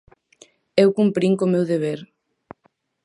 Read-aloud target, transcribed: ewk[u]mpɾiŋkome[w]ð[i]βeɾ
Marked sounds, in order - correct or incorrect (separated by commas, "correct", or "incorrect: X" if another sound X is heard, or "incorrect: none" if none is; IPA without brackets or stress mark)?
correct, correct, incorrect: e